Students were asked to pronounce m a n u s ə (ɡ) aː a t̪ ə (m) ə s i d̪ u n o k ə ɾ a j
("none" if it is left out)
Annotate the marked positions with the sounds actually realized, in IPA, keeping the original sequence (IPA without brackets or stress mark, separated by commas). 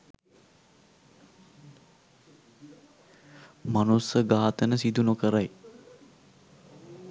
ɡ, n